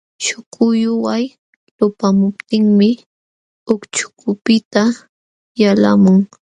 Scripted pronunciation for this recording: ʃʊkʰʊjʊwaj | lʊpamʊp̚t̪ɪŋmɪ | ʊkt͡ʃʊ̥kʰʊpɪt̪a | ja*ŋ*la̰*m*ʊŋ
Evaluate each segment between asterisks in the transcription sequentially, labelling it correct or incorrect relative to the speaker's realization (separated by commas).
incorrect, correct